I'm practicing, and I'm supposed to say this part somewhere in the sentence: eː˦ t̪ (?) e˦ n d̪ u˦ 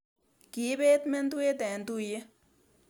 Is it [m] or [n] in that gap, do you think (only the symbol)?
m